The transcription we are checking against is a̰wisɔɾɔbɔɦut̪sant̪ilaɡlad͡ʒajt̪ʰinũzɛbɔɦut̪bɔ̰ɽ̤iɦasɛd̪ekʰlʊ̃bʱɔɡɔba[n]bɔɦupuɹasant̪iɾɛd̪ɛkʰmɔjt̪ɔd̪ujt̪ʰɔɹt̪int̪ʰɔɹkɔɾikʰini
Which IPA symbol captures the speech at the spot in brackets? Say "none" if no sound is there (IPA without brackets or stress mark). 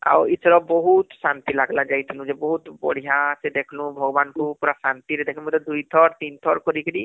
n